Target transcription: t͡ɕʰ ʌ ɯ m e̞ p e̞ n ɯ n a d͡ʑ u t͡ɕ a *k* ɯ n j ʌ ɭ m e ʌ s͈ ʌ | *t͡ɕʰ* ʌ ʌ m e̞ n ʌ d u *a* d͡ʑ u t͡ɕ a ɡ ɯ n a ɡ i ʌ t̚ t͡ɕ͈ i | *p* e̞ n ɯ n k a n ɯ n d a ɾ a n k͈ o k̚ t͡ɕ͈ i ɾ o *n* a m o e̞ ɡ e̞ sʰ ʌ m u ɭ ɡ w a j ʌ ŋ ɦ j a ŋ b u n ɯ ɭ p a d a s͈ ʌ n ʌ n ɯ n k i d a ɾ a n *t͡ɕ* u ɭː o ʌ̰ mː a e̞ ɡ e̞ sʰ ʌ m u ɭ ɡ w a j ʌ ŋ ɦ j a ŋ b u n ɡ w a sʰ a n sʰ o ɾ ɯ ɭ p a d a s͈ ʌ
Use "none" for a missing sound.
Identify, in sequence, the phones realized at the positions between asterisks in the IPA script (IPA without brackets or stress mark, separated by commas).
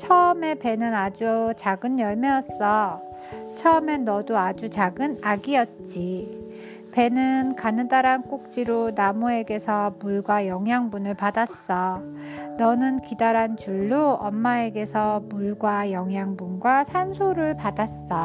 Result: ɡ, t͡ɕʰ, a, p, n, t͡ɕ